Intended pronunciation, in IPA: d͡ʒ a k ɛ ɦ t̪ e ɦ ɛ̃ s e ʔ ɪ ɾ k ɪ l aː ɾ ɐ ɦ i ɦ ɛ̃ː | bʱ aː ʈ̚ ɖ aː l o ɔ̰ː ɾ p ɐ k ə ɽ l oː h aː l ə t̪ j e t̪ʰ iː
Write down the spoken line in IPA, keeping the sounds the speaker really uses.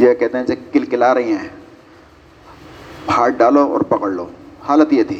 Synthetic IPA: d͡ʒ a k ɛ ɦ t̪ e ɦ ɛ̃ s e k ɪ l k ɪ l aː ɾ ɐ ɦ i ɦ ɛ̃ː | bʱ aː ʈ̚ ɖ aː l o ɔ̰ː ɾ p ɐ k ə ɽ l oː h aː l ə t̪ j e t̪ʰ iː